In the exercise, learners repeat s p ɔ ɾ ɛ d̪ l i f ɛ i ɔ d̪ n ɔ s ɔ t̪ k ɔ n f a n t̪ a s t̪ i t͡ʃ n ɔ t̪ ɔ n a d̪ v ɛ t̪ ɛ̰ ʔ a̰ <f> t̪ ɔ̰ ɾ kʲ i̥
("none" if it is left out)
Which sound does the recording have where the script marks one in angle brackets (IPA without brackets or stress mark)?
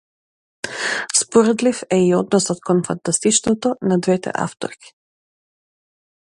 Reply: f